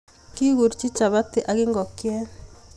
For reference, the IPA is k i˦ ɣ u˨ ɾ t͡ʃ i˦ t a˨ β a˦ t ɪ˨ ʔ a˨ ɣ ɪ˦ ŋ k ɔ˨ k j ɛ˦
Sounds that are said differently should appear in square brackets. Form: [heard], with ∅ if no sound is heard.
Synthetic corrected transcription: k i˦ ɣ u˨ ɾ t͡ʃ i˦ [t͡ʃ] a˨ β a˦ t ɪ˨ ʔ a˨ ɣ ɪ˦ ŋ [ɡ] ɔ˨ k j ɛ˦